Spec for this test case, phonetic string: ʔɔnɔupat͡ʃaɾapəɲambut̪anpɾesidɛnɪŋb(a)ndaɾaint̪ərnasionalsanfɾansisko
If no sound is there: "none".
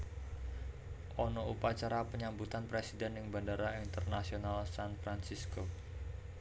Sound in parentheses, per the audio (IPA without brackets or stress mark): a